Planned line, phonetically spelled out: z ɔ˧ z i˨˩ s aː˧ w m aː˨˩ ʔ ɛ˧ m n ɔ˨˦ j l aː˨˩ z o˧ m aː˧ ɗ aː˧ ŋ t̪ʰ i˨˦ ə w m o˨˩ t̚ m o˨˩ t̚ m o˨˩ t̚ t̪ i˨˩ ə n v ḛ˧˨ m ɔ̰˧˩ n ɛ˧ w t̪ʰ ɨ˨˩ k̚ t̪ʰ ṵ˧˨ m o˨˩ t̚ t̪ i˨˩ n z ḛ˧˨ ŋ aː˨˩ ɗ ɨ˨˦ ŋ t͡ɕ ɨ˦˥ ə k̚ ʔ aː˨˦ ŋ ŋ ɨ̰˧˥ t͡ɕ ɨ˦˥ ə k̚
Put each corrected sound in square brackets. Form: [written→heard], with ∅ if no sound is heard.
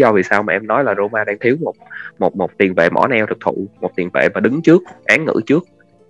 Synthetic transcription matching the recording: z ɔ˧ [z→v] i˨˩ s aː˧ w m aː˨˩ ʔ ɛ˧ m n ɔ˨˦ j l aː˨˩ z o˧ m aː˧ ɗ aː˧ ŋ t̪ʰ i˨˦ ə w m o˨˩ t̚ m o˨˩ t̚ m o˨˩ t̚ t̪ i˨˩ ə n v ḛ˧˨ m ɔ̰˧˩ n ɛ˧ w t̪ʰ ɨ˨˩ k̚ t̪ʰ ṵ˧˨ m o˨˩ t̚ t̪ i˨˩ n [z→v] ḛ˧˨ [ŋ→m] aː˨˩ ɗ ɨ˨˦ ŋ t͡ɕ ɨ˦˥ ə k̚ ʔ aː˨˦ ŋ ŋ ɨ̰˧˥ t͡ɕ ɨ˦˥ ə k̚